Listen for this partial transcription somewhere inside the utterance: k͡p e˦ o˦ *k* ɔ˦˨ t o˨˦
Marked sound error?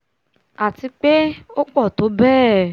yes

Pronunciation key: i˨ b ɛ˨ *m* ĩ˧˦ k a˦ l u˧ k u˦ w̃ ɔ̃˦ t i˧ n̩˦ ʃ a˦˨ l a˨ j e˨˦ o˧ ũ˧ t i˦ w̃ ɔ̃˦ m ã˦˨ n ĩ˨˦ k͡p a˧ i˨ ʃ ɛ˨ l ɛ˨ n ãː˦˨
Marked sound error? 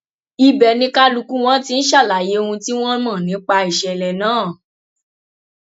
yes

